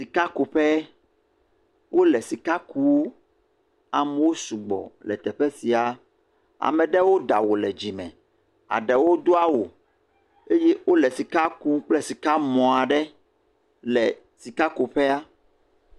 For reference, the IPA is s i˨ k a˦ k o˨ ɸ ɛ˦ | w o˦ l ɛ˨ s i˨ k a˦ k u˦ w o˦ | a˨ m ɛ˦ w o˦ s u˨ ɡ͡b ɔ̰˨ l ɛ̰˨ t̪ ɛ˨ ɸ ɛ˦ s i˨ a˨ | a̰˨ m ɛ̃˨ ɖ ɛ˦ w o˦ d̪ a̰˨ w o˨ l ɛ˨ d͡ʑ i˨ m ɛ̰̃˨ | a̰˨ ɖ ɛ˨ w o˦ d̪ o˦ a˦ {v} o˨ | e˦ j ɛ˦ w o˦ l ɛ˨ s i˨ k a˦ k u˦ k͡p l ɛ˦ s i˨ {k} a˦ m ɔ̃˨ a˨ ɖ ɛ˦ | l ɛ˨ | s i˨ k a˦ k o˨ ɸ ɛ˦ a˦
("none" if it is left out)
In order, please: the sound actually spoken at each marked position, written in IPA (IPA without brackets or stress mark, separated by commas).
w, k